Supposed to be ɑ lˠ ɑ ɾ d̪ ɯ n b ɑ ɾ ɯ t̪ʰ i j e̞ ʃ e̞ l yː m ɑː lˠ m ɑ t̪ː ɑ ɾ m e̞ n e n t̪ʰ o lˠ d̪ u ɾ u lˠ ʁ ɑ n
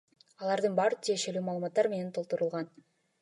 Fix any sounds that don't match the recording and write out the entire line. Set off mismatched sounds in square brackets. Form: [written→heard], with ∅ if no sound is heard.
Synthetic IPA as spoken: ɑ lˠ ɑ ɾ d̪ ɯ n b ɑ ɾ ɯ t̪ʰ i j e̞ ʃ e̞ l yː m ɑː lˠ m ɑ t̪ː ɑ ɾ m e̞ n e n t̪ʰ o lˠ [d̪→t̪] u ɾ u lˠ ʁ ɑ n